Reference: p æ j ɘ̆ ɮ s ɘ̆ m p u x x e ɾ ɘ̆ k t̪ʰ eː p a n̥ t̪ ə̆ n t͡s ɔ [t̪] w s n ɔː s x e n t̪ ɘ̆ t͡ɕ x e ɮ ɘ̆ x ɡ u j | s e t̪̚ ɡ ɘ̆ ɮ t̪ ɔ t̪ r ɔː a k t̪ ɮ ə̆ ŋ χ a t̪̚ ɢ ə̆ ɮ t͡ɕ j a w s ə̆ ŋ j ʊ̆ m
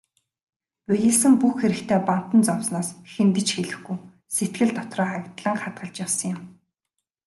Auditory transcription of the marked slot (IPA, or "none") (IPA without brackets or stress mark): none